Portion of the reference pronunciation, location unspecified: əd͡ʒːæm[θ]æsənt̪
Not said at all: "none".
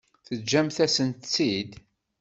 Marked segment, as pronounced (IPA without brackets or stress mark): θ